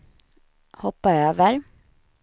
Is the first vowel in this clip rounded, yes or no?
yes